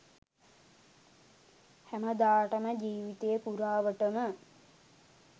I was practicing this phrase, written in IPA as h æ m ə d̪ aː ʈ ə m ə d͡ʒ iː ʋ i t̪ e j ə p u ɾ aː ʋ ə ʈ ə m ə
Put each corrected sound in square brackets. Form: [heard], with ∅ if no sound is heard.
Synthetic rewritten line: h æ m ə d̪ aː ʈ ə m ə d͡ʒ iː ʋ i t̪ e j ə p u ɾ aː ʋ ə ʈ ə m ə